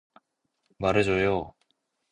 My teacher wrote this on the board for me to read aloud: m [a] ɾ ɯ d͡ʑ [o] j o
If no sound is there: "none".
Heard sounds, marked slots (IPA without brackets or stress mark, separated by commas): a, o